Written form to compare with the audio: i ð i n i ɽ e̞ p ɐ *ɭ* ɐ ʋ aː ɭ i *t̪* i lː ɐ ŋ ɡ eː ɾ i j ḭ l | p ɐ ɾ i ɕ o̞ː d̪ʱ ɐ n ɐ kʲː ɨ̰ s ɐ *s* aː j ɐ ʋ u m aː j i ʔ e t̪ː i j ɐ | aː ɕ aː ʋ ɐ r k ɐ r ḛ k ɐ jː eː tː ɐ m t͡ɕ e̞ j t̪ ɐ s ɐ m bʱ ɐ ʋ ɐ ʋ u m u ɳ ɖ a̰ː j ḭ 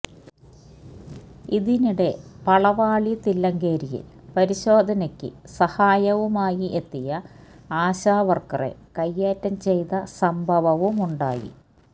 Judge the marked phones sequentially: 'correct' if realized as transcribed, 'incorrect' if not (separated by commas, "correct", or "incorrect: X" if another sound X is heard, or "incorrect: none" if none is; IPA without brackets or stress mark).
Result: correct, correct, incorrect: h